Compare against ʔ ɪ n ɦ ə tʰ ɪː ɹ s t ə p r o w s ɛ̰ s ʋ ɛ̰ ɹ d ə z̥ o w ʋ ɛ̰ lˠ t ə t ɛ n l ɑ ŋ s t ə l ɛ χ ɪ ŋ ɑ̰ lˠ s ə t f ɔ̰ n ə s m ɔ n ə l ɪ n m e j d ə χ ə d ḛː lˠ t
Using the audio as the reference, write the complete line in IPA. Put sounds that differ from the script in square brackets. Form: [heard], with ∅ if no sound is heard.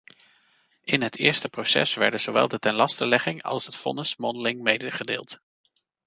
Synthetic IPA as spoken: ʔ ɪ n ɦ ə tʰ ɪː ɹ s t ə p r o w s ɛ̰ s ʋ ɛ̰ ɹ d ə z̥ o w ʋ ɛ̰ lˠ [d] ə t ɛ n l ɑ [∅] s t ə l ɛ χ ɪ ŋ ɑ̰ lˠ s ə t f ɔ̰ n ə s m ɔ n ə l ɪ [ŋ] m e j d ə χ ə d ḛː lˠ t